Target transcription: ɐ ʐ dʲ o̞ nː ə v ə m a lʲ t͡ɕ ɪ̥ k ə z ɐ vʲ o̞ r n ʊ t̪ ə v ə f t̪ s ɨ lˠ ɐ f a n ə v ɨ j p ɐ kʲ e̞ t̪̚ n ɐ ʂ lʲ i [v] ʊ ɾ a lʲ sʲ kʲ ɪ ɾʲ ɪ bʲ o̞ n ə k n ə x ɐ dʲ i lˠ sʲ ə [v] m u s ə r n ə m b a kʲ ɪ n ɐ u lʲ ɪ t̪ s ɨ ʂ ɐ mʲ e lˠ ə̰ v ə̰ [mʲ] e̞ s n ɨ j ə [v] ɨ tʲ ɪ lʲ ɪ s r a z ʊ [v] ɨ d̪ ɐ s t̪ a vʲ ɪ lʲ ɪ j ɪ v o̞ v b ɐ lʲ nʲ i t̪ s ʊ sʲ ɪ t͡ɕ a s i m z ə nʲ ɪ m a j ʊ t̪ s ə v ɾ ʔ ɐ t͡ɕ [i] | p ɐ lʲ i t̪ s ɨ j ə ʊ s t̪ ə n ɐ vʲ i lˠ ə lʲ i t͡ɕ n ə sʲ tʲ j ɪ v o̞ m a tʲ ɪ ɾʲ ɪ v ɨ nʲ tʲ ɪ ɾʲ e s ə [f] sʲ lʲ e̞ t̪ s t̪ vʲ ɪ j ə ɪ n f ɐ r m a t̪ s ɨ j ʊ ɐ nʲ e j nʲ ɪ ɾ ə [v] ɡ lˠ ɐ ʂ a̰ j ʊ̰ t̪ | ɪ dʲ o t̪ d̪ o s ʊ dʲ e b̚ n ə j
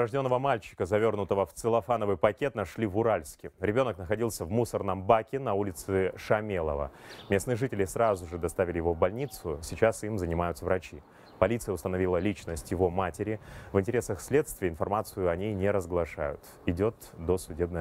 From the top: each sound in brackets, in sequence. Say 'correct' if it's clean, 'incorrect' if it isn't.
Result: correct, correct, correct, incorrect: ʐ, incorrect: ʐ, correct, incorrect: x, incorrect: z

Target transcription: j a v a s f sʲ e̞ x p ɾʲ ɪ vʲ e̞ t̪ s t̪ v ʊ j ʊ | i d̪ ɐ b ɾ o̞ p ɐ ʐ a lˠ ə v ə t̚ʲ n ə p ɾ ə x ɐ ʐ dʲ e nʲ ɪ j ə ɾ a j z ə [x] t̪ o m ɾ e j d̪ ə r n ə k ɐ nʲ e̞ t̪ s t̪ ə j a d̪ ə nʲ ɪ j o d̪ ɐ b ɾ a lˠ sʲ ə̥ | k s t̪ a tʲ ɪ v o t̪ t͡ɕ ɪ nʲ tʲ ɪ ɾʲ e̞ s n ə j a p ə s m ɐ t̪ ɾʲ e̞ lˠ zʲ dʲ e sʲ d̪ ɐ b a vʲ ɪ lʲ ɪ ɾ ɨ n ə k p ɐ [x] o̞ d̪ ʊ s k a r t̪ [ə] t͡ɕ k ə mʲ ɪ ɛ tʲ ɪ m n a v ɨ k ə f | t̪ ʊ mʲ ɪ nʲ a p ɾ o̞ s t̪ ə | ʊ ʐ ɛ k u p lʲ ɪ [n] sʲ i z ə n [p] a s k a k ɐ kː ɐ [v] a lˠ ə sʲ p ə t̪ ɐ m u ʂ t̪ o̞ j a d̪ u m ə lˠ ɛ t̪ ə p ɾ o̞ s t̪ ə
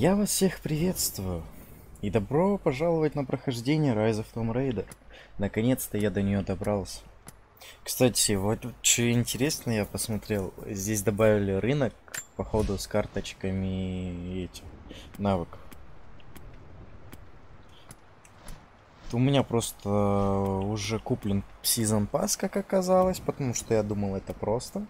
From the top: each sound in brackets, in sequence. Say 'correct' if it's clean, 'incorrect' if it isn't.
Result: incorrect: f, correct, correct, correct, correct, incorrect: z

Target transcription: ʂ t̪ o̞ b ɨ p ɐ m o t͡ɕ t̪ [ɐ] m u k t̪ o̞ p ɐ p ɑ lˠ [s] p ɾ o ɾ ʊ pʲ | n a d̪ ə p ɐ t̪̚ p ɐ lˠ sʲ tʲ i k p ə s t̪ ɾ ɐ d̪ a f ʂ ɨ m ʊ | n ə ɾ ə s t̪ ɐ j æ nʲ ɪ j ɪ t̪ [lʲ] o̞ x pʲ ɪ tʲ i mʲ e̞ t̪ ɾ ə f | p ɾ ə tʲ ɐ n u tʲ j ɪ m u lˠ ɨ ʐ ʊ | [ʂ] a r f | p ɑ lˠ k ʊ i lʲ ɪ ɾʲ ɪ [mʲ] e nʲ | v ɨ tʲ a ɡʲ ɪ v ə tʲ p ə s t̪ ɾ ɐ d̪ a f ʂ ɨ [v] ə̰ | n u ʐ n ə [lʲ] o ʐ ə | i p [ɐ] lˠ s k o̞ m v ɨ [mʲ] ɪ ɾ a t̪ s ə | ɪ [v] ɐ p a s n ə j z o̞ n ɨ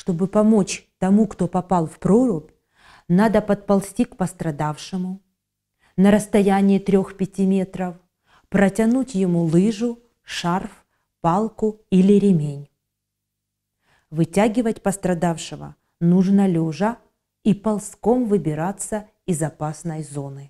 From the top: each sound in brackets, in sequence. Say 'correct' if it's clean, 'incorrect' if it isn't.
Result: correct, incorrect: f, incorrect: ɾʲ, correct, correct, correct, correct, correct, incorrect: bʲ, incorrect: z

